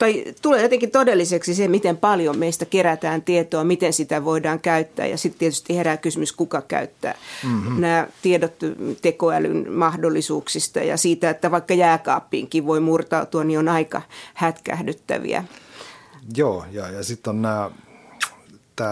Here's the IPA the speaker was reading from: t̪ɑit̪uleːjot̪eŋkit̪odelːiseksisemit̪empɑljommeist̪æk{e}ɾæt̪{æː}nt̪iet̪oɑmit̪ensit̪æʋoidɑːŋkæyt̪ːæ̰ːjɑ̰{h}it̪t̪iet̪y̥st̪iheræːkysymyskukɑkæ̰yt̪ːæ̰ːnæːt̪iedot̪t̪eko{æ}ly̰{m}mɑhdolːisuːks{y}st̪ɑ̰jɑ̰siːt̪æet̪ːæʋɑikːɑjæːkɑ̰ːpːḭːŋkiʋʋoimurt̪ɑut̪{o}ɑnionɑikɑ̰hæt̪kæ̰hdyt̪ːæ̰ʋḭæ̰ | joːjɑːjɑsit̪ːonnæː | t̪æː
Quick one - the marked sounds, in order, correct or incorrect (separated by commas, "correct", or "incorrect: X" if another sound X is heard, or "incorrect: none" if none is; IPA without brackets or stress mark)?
correct, correct, incorrect: s, correct, incorrect: n, incorrect: i, incorrect: u